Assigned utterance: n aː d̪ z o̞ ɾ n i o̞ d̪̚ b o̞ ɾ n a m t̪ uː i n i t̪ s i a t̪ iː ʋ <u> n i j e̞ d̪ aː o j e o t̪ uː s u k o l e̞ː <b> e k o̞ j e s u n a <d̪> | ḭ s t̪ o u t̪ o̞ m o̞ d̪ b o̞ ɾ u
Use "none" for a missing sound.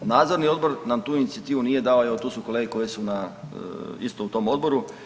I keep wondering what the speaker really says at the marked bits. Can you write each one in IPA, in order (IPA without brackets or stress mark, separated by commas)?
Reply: u, ɡ, none